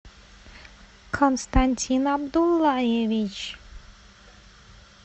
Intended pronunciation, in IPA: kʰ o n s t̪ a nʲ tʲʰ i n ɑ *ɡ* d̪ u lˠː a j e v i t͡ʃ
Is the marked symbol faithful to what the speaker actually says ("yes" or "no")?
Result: no